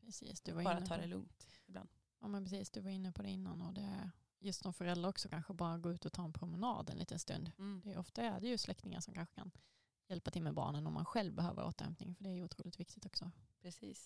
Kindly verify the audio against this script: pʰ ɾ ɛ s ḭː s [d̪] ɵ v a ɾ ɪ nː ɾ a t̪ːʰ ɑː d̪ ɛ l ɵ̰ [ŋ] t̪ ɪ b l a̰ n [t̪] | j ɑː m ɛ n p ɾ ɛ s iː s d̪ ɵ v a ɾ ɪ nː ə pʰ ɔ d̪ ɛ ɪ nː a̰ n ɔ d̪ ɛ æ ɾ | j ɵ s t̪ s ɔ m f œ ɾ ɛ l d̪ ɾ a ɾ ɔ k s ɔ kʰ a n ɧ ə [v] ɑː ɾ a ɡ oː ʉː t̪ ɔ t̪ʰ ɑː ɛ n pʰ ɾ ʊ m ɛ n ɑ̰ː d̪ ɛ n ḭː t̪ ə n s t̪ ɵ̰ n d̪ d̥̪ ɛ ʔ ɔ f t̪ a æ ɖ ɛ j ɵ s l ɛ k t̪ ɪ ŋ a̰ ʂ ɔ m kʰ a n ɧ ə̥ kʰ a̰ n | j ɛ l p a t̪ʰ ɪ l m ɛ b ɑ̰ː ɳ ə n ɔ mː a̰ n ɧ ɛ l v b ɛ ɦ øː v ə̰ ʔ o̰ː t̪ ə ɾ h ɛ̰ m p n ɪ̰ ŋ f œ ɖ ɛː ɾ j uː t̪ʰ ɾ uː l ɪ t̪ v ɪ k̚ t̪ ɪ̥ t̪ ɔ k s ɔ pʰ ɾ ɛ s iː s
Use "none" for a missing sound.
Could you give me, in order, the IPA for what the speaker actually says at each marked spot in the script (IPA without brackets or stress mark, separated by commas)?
d̪, ŋ, d̪, b